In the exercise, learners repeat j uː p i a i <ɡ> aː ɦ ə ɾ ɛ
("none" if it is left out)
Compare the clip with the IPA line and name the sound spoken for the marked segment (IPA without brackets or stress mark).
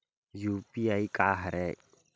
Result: k